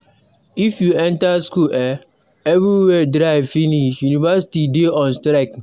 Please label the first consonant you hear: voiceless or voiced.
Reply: voiceless